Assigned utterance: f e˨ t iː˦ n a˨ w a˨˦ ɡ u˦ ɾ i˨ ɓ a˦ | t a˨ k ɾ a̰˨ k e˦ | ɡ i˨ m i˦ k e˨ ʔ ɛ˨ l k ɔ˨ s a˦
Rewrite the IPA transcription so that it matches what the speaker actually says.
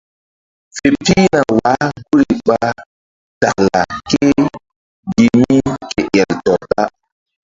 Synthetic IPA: f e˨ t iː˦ n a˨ w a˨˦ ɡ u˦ ɾ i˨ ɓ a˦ | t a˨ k l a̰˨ k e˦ | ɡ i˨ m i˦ k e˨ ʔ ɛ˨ l t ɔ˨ t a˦